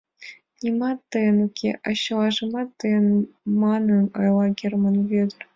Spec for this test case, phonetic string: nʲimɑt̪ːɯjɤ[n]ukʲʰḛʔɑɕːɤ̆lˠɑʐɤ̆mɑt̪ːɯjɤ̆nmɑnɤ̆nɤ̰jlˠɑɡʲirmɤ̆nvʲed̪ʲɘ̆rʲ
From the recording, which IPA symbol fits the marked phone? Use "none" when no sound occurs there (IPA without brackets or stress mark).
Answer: n